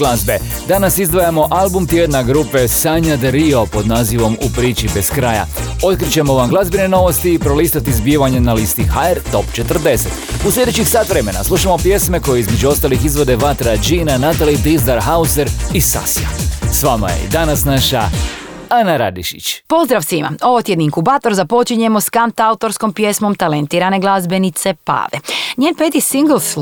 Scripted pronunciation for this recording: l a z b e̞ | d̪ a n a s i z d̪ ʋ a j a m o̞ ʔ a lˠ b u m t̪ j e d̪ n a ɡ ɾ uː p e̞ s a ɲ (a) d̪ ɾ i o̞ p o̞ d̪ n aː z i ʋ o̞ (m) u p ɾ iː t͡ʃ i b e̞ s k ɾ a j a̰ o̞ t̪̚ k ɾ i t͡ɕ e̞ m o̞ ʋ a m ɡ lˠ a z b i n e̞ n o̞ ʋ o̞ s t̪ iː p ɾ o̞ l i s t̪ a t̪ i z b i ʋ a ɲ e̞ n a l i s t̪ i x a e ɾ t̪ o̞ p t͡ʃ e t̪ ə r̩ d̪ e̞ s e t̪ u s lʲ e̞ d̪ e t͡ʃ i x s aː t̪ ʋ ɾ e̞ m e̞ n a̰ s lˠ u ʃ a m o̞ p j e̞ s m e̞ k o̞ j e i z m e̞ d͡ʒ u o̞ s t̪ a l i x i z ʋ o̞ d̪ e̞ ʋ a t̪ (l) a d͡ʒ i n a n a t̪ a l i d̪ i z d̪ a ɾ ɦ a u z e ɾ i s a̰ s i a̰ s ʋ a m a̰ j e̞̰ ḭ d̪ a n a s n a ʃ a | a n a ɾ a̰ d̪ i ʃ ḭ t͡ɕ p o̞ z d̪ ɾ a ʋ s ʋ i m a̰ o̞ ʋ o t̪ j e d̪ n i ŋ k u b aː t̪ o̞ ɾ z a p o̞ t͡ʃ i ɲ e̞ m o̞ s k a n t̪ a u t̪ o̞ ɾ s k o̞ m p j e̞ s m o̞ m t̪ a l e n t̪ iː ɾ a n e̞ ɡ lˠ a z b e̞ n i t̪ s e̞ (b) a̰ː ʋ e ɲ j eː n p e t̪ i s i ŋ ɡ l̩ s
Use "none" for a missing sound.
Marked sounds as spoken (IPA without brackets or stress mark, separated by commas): a, m, ɾ, p